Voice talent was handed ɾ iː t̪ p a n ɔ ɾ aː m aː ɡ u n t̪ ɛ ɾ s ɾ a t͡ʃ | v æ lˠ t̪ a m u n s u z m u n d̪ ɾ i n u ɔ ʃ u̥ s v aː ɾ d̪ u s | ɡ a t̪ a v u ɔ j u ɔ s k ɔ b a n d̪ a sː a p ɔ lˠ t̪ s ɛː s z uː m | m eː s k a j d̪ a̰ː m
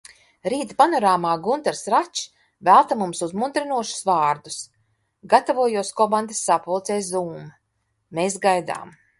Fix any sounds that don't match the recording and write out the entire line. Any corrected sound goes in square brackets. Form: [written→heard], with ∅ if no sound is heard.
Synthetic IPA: ɾ iː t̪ p a n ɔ ɾ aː m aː ɡ u n t̪ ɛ ɾ s ɾ a t͡ʃ | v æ lˠ t̪ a m u [n→m] s u z m u n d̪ ɾ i n u ɔ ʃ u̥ s v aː ɾ d̪ u s | ɡ a t̪ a v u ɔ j u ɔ s k ɔ b a n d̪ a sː a p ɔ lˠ t̪ s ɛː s z uː m | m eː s [k→ɡ] a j d̪ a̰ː m